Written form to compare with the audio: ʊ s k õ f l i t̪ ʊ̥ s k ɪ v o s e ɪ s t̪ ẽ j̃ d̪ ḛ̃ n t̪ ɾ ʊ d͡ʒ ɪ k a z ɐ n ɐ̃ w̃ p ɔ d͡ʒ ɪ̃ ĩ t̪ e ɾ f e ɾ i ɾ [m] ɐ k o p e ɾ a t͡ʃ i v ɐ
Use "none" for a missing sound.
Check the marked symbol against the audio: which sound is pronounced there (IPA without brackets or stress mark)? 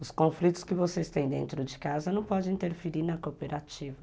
n